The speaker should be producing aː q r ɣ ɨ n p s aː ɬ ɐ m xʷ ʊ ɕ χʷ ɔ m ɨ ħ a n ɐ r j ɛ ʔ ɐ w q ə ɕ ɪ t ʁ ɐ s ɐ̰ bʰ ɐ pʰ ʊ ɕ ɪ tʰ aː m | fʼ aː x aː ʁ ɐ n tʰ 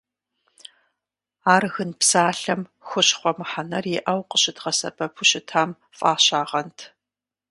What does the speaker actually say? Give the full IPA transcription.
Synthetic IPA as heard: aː r ɣ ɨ n p s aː ɬ ɐ m xʷ ʊ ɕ χʷ ɔ m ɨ ħ a n ɐ r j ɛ ʔ ɐ w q ə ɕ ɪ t ʁ ɐ s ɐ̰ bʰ ɐ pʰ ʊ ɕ ɪ tʰ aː m | fʼ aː ɕ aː ʁ ɐ n tʰ

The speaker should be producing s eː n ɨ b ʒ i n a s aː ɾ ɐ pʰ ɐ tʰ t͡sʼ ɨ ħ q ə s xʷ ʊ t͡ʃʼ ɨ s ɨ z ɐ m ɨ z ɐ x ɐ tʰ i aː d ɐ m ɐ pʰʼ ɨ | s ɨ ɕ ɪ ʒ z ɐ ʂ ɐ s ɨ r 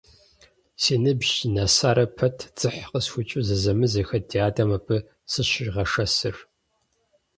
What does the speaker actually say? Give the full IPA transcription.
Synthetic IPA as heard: s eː n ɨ b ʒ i n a s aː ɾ ɐ pʰ ɐ tʰ t͡sʼ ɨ ħ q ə s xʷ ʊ t͡ʃʼ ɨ z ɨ z ɐ m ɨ z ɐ x ɐ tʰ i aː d ɐ m ɐ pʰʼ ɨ | s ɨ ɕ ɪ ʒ ʁ ɐ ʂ ɐ s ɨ r

